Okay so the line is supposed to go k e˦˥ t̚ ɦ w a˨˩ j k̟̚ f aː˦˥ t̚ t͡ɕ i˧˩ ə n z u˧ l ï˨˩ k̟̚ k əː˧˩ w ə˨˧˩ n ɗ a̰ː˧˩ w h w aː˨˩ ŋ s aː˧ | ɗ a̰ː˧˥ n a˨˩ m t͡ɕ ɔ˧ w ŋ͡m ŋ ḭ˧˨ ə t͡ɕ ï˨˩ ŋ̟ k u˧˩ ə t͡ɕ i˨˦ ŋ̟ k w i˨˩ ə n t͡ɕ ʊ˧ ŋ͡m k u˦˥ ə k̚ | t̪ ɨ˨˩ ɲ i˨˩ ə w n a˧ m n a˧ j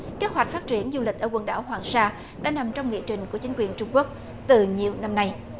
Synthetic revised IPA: k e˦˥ t̚ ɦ w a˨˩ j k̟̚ f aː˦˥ t̚ t͡ɕ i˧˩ ə n z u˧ l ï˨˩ k̟̚ ʔ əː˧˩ w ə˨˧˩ n ɗ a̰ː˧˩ w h w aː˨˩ ŋ s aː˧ | ɗ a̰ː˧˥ n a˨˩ m t͡ɕ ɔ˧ w ŋ͡m ŋ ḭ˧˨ ə t͡ɕ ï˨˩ ŋ̟ k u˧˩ ə t͡ɕ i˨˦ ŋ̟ k w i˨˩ ə n t͡ɕ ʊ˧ ŋ͡m k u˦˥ ə k̚ | t̪ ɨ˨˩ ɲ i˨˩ ə w n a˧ m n a˧ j